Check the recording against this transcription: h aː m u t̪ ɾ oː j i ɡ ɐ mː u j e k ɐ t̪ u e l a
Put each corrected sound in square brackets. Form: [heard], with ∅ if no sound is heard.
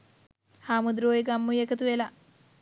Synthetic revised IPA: h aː m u [d̪] ɾ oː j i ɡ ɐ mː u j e k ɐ t̪ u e l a